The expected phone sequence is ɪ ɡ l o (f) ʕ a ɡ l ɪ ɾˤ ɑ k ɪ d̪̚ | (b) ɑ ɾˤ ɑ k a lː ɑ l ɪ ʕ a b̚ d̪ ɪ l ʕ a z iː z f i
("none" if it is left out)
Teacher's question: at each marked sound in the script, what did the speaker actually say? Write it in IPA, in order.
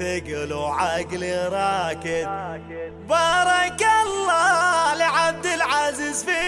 none, b

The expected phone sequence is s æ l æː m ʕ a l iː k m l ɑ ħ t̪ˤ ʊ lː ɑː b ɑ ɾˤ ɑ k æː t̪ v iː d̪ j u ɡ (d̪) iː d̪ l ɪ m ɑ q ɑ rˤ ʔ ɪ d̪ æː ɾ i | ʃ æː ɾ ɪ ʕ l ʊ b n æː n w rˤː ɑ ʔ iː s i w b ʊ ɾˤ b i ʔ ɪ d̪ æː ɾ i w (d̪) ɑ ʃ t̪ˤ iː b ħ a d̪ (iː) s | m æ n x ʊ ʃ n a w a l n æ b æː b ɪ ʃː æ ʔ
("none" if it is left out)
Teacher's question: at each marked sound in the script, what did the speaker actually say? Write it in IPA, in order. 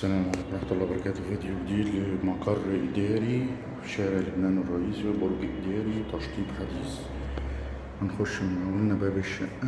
d̪, t̪, iː

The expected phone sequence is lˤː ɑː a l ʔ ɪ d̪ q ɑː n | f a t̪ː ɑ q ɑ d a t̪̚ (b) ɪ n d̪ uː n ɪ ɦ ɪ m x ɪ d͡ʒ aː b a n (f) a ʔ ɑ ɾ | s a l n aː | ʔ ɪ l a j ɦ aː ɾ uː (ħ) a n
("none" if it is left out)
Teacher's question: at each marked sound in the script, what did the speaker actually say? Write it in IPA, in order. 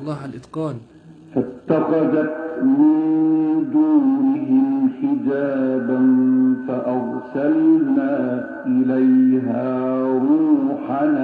m, f, ħ

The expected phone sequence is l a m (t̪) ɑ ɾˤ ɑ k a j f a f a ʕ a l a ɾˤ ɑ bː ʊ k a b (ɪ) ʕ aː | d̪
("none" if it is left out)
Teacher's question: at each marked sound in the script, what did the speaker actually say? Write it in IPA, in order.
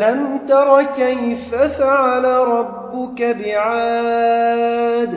t̪, ɪ

